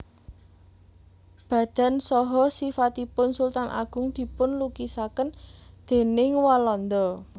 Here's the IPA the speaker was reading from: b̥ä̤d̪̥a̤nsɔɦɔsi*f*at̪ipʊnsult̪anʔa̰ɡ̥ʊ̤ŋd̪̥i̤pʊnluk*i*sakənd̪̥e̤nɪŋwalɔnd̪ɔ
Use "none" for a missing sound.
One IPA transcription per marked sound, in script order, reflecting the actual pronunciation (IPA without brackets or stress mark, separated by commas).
f, i